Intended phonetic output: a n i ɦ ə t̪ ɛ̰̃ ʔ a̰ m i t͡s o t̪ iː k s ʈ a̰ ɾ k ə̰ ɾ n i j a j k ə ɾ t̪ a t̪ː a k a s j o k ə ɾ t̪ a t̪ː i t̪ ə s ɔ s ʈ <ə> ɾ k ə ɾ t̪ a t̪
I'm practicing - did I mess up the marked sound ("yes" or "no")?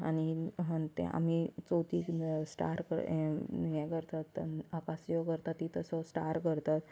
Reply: yes